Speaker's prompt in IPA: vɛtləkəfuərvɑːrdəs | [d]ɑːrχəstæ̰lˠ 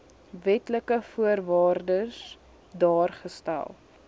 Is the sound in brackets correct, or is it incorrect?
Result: correct